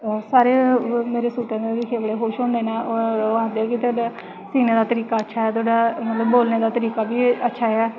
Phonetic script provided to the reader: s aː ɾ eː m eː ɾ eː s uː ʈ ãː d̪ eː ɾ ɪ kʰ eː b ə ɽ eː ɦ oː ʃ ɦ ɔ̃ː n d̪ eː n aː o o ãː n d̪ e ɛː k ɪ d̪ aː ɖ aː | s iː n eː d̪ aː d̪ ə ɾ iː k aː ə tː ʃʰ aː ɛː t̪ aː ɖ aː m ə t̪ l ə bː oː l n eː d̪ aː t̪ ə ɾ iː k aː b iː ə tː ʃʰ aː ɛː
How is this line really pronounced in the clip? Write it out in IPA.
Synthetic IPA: s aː ɾ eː m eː ɾ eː s uː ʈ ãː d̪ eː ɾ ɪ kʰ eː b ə ɽ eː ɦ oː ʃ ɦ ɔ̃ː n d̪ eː n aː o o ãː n d̪ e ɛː k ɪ t̪ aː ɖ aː | s iː n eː d̪ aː t̪ ə ɾ iː k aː ə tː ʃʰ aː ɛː t̪ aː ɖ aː m ə t̪ l ə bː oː l n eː d̪ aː t̪ ə ɾ iː k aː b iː ə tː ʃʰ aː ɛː